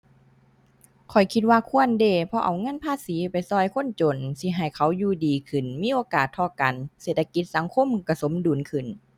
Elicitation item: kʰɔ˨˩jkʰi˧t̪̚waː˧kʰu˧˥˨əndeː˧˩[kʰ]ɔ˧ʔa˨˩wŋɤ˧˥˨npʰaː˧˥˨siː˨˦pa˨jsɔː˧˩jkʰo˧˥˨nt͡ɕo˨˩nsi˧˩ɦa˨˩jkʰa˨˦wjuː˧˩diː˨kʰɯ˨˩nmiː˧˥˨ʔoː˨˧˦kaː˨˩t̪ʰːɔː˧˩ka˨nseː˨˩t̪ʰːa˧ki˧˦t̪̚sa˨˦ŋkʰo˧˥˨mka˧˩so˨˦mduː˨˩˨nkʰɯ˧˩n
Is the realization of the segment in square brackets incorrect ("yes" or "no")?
yes